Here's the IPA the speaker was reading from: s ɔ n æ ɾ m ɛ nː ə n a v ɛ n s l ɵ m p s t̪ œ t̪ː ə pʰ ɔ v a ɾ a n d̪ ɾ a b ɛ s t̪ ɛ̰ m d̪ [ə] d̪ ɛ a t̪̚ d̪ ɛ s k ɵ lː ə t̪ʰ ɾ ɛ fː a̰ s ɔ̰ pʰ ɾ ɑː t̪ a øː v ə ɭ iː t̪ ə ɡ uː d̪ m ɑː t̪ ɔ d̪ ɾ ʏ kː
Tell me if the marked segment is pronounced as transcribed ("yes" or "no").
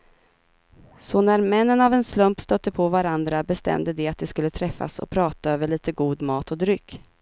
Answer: yes